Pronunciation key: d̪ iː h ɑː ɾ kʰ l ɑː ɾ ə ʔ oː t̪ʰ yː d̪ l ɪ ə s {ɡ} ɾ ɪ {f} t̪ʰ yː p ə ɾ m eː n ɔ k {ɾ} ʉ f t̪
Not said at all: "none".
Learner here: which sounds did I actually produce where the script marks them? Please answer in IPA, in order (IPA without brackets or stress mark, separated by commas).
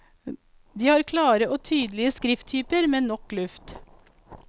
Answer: k, f, l